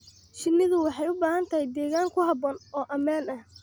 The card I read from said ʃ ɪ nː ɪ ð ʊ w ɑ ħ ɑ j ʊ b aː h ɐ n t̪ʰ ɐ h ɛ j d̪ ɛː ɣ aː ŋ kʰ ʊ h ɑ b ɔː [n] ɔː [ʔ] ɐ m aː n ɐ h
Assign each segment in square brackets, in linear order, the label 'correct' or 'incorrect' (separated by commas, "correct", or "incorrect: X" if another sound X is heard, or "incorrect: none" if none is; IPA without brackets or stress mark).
correct, correct